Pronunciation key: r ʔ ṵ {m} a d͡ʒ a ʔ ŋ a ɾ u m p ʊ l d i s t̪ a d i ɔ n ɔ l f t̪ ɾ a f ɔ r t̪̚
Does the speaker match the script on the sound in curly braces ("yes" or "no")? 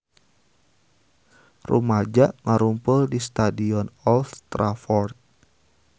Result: yes